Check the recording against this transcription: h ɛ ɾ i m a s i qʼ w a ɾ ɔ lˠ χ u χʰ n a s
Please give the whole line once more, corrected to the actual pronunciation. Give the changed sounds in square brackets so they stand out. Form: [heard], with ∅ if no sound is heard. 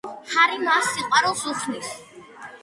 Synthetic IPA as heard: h [a] ɾ i m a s i qʼ w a ɾ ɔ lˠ [s] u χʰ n [i] s